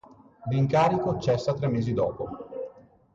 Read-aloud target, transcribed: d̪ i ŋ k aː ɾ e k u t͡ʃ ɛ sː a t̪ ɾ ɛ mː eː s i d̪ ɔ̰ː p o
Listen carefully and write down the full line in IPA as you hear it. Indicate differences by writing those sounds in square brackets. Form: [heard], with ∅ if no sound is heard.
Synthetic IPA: d̪ i ŋ k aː ɾ [i] k [o] t͡ʃ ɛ sː a t̪ ɾ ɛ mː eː [z] i d̪ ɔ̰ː p o